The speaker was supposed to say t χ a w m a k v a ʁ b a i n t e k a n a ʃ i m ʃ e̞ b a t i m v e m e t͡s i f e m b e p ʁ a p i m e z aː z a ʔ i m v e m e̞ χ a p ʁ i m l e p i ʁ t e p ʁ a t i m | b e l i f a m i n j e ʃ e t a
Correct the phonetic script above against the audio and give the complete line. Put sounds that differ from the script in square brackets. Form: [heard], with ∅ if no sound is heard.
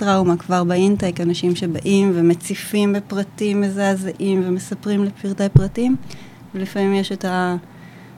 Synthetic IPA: t [ʁ] a w m a k v a ʁ b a i n t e k a n a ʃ i m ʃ e̞ b a [ʔ] i m v e m e t͡s i f [i] m b e p ʁ a [t] i m e z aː z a ʔ i m v e m e̞ [s] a p ʁ i m l e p i ʁ t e p ʁ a t i m | [v] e l i f a m i [m] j e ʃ e t a